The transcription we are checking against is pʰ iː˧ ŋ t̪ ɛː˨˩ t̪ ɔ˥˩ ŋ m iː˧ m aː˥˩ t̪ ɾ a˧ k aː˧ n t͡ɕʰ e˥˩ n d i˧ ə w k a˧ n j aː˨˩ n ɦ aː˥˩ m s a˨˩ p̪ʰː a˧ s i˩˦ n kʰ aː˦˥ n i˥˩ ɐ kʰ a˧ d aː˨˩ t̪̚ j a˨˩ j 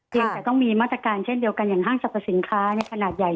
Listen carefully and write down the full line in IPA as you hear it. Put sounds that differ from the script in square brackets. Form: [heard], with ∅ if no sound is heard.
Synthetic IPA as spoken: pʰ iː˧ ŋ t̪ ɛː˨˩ t̪ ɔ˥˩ ŋ m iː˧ m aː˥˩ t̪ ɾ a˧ k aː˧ n t͡ɕʰ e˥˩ n d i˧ ə w k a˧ n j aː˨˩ [ŋ] ɦ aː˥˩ [ŋ] s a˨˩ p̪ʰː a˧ s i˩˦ n kʰ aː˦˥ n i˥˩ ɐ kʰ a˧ [n] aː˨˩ t̪̚ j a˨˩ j